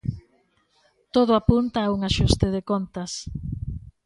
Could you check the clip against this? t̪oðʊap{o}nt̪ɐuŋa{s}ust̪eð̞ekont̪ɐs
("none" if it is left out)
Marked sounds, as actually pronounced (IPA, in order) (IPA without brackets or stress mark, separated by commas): u, ʃ